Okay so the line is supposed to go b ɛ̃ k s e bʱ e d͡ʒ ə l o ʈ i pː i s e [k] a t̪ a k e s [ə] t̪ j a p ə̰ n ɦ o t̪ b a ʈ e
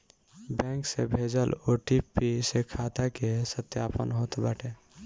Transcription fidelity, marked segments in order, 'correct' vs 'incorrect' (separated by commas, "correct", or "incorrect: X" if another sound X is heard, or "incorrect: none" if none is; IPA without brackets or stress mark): incorrect: kʰ, correct